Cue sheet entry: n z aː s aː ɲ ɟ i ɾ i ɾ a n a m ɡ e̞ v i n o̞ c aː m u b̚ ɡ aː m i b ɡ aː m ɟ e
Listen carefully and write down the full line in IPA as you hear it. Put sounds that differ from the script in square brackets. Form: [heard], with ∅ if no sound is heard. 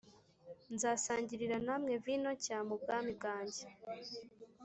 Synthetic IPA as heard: n z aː s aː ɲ ɟ i ɾ i ɾ a n a m [ŋ] e̞ v i n o̞ c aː m u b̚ ɡ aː m i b ɡ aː [ɲ] ɟ e

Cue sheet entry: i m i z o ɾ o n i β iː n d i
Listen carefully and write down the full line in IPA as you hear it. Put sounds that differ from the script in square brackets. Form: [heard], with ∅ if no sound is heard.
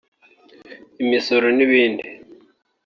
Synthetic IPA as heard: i m i [s] o ɾ o n i β iː n d i

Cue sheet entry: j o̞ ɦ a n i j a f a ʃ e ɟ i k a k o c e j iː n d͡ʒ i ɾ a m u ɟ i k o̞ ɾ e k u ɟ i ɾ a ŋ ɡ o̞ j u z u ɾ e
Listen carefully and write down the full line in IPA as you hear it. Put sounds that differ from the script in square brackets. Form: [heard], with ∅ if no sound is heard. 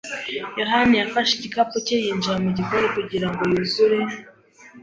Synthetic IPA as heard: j o̞ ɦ a n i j a f a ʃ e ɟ i k a [p] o c e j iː n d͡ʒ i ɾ a m u ɟ i k o̞ ɾ e k u ɟ i ɾ a ŋ ɡ o̞ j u z u ɾ e

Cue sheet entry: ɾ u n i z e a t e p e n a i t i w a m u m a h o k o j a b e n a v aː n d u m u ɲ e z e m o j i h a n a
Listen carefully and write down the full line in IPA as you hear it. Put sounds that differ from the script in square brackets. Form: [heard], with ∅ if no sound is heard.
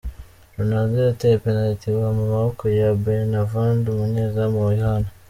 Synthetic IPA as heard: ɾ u n [a] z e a t e p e n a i t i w a m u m a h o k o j a b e n a v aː n d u m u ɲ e z [a] m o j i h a n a

